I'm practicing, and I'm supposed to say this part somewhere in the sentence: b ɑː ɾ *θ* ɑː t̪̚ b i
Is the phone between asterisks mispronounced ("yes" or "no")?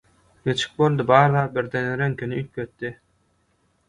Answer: yes